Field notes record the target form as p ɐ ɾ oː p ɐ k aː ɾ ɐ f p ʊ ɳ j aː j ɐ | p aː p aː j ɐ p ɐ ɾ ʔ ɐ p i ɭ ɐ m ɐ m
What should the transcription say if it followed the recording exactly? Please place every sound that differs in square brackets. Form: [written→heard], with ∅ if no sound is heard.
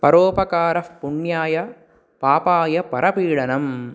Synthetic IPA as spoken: p ɐ ɾ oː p ɐ k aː ɾ ɐ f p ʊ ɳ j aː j ɐ | p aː p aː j ɐ p ɐ ɾ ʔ ɐ p [i→iː] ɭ ɐ [m→n] ɐ m